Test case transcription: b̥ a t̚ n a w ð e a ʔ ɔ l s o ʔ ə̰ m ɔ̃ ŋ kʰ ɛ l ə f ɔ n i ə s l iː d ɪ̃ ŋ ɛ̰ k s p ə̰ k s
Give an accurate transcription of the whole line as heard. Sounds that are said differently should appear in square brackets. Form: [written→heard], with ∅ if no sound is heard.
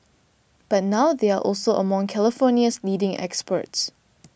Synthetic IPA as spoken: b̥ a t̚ n a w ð e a ʔ ɔ l s o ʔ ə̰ m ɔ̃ ŋ kʰ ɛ l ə f ɔ n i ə s l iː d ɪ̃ ŋ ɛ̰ k s p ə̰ [k→t] s